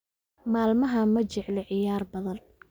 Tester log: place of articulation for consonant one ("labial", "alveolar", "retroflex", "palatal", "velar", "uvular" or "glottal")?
labial